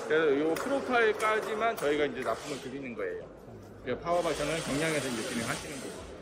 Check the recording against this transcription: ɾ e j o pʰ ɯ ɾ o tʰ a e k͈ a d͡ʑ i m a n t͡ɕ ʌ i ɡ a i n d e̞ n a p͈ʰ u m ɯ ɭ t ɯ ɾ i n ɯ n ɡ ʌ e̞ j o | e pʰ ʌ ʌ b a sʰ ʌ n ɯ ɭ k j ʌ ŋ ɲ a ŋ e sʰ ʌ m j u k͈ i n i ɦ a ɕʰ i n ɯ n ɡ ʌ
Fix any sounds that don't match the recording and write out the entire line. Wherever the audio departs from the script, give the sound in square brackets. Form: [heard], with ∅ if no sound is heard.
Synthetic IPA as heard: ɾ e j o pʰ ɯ ɾ o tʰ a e k͈ a d͡ʑ i m a n t͡ɕ ʌ i ɡ a i n [d͡ʑ] e̞ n a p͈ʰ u m ɯ ɭ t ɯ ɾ i n ɯ n ɡ ʌ e̞ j o | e pʰ [a] ʌ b a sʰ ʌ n ɯ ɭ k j ʌ ŋ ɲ a ŋ e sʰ ʌ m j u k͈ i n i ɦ a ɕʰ i n ɯ n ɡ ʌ